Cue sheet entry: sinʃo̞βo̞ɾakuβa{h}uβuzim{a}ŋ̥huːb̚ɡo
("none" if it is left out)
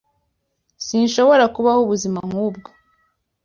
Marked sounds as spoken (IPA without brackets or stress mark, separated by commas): h, a